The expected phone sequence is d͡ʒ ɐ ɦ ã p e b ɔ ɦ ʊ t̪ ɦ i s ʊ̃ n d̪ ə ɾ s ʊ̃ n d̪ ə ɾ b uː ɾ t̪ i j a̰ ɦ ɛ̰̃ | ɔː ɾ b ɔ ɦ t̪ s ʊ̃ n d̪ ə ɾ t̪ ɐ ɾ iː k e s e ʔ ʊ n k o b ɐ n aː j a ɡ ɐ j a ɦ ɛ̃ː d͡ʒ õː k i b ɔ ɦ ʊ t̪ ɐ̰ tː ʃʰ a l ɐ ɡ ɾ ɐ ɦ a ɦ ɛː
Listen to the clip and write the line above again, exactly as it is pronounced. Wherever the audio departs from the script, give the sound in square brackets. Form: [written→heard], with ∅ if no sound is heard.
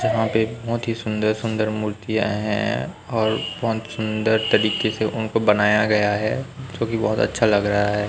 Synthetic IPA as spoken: d͡ʒ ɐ ɦ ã p e b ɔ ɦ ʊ t̪ ɦ i s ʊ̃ n d̪ ə ɾ s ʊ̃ n d̪ ə ɾ [b→m] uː ɾ t̪ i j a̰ ɦ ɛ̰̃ | ɔː ɾ b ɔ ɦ t̪ s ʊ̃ n d̪ ə ɾ t̪ ɐ ɾ iː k e s e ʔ ʊ n k o b ɐ n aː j a ɡ ɐ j a ɦ [ɛ̃ː→ɛː] d͡ʒ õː k i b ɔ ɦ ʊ t̪ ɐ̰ tː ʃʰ a l ɐ ɡ ɾ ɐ ɦ a ɦ ɛː